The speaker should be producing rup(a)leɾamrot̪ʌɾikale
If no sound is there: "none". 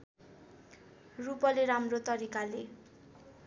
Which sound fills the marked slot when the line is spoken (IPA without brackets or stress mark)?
ʌ